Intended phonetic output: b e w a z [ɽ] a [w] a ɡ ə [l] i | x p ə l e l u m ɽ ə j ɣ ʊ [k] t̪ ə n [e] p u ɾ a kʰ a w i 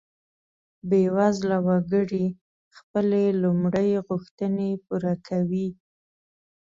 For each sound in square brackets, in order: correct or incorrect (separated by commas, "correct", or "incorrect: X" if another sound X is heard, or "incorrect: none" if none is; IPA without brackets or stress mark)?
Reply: incorrect: l, correct, incorrect: ɽ, incorrect: x, correct